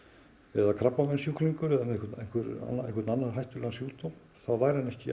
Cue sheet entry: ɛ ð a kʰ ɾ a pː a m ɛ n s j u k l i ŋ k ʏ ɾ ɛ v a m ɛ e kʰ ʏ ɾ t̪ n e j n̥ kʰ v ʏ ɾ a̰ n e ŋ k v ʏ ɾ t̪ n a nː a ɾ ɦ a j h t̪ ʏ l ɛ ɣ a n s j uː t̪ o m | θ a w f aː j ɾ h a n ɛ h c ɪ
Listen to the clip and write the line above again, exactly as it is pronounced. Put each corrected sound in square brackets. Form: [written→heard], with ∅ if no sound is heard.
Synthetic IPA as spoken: ɛ ð a kʰ ɾ a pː a m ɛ n s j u k l i ŋ k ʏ ɾ ɛ [v→ð] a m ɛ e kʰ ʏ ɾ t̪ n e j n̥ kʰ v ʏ ɾ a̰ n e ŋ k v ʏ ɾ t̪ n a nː a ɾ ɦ a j h t̪ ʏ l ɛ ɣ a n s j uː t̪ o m | θ a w [f→v] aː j ɾ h a n ɛ h c ɪ